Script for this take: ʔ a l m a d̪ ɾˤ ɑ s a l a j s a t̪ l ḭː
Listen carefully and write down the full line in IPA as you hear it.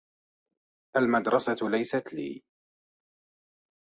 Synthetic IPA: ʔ a l m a d̪ ɾˤ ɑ s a l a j s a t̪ l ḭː